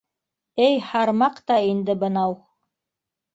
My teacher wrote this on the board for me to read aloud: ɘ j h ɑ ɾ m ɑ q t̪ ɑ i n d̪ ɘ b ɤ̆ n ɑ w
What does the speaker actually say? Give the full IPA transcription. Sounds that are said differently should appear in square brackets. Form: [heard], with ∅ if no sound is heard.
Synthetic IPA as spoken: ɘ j h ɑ ɾ m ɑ q t̪ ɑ i n d̪ ɘ b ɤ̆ n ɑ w